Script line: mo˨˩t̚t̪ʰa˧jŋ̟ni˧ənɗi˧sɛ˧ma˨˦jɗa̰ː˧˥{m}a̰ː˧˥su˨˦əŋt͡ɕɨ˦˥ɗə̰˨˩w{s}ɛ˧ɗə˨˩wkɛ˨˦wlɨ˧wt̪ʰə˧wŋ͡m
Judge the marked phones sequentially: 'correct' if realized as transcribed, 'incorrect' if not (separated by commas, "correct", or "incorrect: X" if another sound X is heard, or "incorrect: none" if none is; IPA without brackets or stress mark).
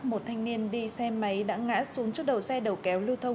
incorrect: ŋ, correct